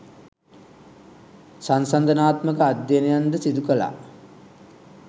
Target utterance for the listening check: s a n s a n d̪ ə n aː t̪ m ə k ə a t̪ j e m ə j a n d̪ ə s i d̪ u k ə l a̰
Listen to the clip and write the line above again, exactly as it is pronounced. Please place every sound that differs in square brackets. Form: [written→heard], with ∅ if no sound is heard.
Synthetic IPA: s a n s a n d̪ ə n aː t̪ m ə k ə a [t̪→d̪] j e [m→n] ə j a n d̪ ə s i d̪ u k ə l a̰